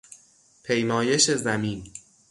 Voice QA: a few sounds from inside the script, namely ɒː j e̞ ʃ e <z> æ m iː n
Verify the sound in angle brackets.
correct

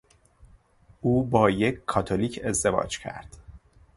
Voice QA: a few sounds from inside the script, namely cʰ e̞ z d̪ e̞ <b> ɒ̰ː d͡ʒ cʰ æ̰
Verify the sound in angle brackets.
incorrect: v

